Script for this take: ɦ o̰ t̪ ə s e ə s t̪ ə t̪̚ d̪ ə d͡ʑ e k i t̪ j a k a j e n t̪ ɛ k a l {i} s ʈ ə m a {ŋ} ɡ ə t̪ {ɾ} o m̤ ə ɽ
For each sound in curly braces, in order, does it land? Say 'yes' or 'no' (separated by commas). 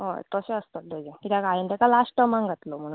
no, yes, no